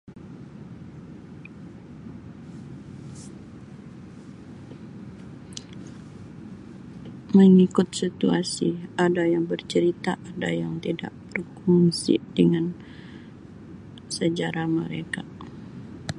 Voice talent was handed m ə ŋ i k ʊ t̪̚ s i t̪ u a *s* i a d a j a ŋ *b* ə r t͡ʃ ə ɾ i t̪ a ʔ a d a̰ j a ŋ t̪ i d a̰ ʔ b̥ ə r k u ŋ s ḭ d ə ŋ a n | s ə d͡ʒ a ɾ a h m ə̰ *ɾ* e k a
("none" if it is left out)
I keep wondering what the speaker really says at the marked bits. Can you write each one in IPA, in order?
s, b, ɾ

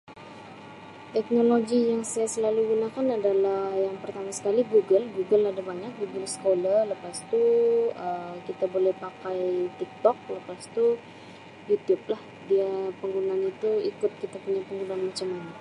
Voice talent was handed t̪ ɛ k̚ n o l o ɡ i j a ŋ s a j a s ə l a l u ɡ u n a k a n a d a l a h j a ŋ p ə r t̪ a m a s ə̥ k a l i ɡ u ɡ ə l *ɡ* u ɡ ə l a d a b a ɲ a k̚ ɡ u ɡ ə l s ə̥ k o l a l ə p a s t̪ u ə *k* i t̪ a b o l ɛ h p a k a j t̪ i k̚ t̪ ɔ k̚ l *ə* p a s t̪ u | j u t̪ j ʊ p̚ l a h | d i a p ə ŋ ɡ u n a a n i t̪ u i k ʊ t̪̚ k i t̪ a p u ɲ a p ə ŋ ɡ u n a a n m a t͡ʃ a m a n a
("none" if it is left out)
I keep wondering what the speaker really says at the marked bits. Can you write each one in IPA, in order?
ɡ, k, ə

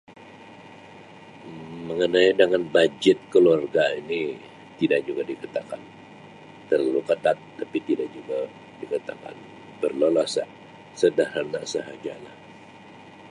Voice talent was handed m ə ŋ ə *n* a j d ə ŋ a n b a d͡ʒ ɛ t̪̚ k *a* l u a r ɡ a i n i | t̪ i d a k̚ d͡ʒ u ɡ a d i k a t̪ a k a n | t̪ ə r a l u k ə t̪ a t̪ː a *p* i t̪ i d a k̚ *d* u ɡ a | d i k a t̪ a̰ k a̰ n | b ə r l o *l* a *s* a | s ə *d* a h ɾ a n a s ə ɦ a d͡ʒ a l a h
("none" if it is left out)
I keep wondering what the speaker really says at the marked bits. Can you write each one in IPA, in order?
n, ə, p, d͡ʒ, l, s, d

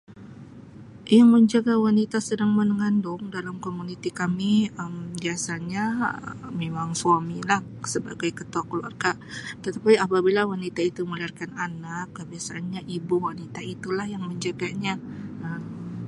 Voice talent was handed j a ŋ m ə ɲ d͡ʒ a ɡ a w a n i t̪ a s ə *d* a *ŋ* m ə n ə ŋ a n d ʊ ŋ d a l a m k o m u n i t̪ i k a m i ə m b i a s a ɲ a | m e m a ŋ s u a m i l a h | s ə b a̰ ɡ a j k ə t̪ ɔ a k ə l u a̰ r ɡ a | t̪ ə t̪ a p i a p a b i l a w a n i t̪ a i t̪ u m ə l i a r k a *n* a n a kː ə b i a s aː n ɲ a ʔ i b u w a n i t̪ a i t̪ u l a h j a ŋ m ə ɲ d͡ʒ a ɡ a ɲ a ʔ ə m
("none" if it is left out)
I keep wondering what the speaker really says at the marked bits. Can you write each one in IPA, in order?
d, ŋ, n

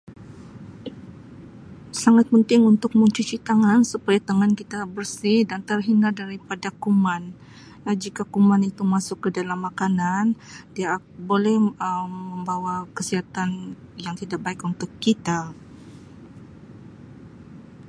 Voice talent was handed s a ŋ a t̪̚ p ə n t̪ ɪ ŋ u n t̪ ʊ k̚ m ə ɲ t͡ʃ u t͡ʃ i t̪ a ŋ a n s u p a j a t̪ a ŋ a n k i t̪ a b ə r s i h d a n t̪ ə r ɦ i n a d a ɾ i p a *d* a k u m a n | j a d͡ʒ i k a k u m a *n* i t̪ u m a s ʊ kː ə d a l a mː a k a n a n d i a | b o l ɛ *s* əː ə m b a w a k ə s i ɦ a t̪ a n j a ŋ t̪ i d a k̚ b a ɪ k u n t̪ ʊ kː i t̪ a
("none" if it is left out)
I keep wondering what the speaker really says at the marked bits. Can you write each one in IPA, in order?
d, n, h

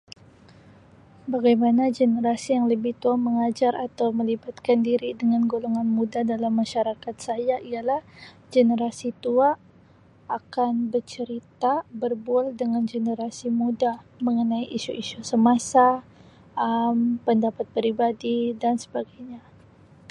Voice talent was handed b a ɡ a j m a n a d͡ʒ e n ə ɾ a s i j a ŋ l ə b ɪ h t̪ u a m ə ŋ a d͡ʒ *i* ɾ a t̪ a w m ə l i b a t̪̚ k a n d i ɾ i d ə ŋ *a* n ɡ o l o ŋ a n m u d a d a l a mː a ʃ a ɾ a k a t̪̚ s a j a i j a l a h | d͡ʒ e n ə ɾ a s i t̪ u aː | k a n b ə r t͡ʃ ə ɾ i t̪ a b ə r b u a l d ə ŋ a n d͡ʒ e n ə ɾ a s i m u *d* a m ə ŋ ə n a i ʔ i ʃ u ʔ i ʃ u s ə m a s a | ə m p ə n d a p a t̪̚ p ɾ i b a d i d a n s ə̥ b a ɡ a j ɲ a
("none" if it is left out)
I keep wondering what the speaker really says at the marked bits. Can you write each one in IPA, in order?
a, a, d

